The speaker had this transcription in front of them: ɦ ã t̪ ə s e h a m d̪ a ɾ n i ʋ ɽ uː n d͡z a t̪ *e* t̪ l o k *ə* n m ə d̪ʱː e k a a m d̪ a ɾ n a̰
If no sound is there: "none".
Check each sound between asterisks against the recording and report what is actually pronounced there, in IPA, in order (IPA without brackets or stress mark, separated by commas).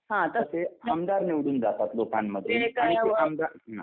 a, a